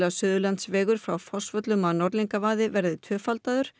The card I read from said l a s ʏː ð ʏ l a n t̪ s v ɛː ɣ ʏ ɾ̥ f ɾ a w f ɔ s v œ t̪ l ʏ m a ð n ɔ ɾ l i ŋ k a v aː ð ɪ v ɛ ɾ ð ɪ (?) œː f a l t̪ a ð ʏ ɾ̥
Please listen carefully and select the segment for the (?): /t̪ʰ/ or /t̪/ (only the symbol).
t̪ʰ